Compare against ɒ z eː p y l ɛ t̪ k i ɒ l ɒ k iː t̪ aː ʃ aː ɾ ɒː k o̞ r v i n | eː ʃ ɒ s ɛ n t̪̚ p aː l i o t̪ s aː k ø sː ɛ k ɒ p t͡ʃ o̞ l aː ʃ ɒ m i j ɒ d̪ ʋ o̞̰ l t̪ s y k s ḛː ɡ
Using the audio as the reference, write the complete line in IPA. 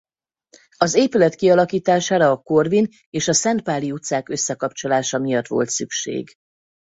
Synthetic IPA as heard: ɒ z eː p y l ɛ t̪ k i ɒ l ɒ k iː t̪ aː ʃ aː ɾ ɒː k o̞ r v i n | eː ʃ ɒ s ɛ n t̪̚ p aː l i u t̪ s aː k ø sː ɛ k ɒ p t͡ʃ o̞ l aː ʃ ɒ m i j ɒ t̪ ʋ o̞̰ l t̪ s y k ʃ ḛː ɡ